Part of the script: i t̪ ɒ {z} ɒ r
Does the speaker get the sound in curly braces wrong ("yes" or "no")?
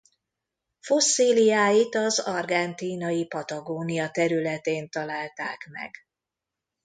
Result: no